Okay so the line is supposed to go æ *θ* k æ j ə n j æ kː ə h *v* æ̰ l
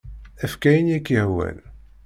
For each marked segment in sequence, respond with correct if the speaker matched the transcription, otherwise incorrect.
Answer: incorrect, incorrect

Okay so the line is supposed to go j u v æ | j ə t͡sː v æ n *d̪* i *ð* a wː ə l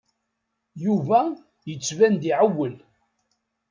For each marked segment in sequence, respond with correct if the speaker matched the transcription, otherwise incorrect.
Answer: correct, incorrect

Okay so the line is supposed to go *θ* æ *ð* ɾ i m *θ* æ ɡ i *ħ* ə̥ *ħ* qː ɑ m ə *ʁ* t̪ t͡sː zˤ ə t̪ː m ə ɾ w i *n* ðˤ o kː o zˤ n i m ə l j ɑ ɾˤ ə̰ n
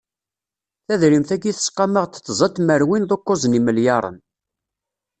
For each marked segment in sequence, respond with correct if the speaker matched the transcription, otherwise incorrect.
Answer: correct, correct, correct, incorrect, incorrect, correct, correct

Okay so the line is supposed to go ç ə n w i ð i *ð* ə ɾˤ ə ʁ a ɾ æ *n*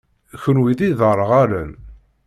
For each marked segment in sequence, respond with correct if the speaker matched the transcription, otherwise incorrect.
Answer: correct, correct

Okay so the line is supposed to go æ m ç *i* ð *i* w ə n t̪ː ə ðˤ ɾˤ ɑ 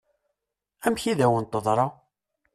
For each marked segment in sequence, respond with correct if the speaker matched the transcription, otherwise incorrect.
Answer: correct, incorrect

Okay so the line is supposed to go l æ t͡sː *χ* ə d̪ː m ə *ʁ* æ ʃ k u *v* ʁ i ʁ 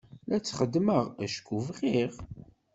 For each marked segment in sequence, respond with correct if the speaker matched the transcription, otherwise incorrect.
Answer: correct, correct, correct

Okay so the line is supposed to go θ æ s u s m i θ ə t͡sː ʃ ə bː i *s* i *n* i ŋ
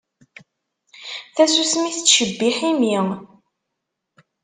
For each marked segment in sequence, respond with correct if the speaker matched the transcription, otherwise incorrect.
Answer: incorrect, incorrect

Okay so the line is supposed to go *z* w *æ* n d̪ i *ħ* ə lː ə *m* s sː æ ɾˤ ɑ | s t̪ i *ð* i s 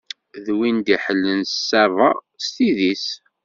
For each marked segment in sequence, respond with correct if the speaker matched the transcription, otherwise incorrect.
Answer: incorrect, incorrect, correct, incorrect, correct

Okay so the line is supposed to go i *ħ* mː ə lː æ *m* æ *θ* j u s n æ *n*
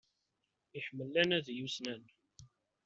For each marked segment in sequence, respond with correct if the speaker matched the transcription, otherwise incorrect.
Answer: correct, incorrect, incorrect, correct

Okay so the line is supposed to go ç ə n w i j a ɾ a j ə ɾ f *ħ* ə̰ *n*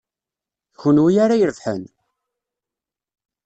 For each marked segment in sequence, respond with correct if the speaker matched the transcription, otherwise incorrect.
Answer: correct, correct

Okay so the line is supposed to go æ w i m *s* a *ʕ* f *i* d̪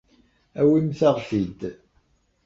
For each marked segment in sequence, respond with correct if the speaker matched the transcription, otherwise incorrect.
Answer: incorrect, incorrect, correct

